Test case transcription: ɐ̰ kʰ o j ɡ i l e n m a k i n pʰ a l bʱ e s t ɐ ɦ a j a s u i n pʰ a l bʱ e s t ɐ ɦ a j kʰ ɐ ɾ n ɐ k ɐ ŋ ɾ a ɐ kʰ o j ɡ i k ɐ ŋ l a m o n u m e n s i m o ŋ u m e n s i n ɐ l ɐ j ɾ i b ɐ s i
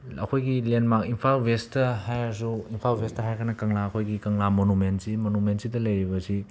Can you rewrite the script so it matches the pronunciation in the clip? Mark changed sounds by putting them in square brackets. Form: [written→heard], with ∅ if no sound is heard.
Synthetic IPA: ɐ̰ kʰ o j ɡ i l e n m a k i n pʰ a l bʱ e s t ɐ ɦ a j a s u i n pʰ a l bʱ e s t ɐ ɦ a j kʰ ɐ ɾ n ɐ k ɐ ŋ [ɾ→l] a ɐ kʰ o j ɡ i k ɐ ŋ l a m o n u m e n s i m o [ŋ→n] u m e n s i [n→d] ɐ l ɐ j ɾ i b ɐ s i